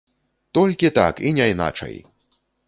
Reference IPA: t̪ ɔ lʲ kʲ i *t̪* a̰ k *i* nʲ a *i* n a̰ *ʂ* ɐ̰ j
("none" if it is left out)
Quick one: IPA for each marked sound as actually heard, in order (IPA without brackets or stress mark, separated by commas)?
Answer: t̪, i, j, t͡ʂ